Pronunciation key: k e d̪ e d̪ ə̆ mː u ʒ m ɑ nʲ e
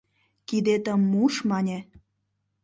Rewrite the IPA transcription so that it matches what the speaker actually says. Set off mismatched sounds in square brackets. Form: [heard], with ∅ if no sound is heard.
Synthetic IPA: k [i] d̪ e [t̪] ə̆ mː u [ʃ] m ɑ nʲ e